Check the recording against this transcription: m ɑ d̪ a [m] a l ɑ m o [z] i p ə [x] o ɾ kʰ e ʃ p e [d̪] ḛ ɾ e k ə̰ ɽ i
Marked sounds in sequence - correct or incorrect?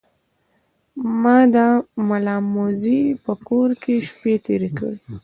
correct, correct, incorrect, incorrect

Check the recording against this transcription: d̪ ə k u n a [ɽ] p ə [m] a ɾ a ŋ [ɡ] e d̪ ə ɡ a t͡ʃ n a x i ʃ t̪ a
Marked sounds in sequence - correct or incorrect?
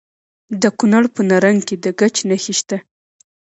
correct, incorrect, incorrect

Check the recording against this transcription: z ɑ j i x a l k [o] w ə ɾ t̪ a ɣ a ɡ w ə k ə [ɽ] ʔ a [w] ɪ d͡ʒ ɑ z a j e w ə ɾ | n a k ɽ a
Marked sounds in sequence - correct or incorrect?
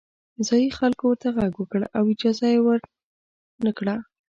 correct, correct, correct

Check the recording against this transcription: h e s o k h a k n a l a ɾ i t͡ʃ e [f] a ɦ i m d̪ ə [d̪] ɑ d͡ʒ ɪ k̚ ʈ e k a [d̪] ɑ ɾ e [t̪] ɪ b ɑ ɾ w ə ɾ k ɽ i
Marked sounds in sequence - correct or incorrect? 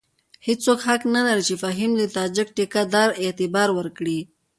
correct, incorrect, correct, correct

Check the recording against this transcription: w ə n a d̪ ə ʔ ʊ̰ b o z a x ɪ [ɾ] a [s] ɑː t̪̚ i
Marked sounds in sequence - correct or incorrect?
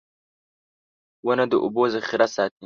correct, correct

